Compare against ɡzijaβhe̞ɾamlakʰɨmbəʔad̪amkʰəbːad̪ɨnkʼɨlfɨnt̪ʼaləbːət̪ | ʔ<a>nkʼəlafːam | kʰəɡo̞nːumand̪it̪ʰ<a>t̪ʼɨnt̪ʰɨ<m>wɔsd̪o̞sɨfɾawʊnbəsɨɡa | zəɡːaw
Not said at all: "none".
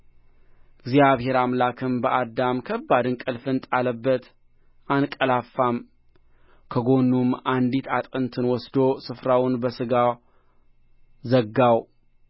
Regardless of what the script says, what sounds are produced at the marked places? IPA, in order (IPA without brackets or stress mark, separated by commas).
a, a, n